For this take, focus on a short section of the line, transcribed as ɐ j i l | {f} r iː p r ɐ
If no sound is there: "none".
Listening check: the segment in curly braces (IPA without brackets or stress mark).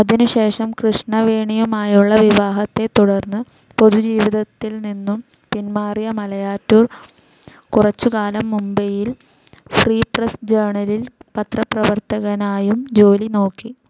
f